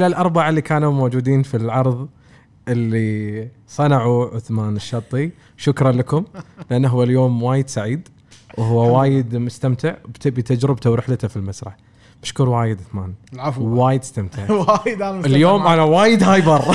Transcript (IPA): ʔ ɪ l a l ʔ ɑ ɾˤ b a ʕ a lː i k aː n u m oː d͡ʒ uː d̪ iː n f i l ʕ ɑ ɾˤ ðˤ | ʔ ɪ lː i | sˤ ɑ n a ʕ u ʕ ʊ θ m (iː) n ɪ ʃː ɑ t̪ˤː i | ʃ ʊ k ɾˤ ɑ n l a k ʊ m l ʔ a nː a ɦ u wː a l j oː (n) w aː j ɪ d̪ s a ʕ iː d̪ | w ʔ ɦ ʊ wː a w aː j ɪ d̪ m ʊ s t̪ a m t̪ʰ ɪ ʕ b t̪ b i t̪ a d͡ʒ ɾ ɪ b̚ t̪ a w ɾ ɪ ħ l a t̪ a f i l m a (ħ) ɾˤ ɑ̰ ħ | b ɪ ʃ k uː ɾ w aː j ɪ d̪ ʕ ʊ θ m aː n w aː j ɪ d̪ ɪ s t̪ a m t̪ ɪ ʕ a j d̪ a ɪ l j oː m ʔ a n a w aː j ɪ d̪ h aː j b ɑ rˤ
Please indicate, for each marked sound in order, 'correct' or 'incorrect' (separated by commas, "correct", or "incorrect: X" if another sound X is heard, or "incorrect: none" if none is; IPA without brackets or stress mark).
incorrect: aː, incorrect: m, incorrect: s